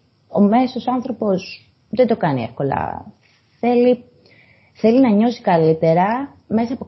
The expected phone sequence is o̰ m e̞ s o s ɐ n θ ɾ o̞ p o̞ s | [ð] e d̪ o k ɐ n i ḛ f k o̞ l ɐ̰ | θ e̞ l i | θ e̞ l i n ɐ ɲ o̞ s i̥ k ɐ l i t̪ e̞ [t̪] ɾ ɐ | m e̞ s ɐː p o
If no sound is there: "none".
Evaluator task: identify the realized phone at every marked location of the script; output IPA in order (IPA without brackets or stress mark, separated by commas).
ð, none